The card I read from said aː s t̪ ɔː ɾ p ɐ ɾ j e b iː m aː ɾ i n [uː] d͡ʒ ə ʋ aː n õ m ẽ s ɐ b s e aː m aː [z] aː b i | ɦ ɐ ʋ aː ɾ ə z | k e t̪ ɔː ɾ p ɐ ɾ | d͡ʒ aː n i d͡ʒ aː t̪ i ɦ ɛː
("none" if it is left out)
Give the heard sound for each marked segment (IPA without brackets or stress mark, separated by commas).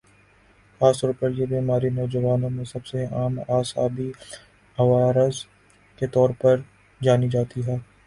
ɔː, s